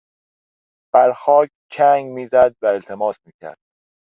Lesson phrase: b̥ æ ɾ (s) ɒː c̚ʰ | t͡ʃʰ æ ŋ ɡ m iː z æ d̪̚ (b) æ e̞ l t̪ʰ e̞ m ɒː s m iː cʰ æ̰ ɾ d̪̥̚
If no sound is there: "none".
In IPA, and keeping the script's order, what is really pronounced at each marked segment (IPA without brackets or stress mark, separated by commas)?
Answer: x, v